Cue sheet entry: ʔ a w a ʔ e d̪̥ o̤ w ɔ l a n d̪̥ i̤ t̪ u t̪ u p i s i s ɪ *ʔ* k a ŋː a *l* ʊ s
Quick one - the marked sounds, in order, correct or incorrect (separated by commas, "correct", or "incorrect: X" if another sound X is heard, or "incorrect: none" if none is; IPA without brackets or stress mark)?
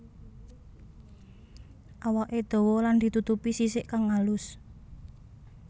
correct, correct